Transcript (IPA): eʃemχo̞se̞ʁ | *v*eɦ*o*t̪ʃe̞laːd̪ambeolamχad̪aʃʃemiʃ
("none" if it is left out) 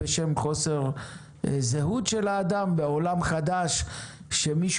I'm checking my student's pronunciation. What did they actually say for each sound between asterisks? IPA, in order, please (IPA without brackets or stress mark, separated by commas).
z, u